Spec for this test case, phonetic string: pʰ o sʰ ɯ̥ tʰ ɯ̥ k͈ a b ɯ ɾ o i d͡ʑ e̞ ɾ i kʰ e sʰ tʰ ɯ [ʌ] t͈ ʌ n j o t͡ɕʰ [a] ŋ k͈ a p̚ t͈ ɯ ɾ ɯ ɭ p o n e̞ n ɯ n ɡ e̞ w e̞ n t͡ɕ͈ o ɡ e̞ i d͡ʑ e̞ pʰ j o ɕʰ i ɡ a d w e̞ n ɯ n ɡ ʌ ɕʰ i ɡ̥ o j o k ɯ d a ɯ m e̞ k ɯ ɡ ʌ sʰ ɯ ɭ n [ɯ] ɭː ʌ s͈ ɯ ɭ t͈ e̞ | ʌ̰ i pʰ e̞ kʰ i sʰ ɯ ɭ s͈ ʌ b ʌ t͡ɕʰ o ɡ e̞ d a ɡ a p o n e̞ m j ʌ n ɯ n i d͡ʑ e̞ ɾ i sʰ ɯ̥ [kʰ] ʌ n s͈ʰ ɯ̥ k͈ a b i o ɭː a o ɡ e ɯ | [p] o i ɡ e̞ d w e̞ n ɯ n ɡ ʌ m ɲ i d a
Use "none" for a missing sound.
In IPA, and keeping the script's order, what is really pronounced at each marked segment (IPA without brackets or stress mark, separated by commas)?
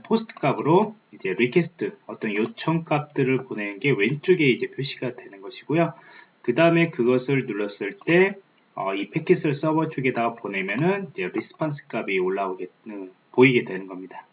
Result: ʌ, ʌ, u, pʰ, p